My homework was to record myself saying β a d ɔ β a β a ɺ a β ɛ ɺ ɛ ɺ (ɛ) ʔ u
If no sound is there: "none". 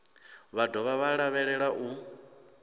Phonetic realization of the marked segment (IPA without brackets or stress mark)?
a